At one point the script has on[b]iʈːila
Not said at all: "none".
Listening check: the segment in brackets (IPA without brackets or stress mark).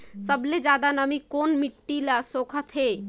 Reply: m